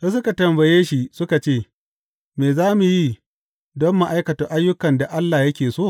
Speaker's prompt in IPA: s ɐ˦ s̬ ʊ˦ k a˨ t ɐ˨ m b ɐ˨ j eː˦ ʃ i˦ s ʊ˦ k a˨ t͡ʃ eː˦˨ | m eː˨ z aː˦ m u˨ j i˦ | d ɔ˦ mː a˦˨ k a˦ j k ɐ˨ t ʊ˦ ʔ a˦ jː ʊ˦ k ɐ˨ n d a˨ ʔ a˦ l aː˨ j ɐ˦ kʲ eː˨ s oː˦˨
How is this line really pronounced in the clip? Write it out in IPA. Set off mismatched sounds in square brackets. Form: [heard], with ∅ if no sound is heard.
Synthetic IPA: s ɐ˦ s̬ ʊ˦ k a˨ t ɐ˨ m b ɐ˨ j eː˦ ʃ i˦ s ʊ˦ k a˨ t͡ʃ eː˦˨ | m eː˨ z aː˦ m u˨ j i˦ | d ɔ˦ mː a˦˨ [ʔ] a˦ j k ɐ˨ t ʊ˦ ʔ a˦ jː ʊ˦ k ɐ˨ n d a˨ ʔ a˦ [lː] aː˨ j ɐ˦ kʲ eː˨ s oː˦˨